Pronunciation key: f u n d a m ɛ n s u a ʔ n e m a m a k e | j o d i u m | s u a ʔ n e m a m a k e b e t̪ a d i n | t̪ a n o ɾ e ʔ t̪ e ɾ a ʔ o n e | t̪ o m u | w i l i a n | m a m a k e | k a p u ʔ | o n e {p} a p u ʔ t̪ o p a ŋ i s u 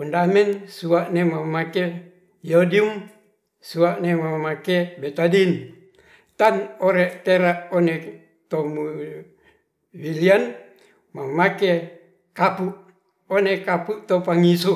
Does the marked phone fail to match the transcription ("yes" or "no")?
yes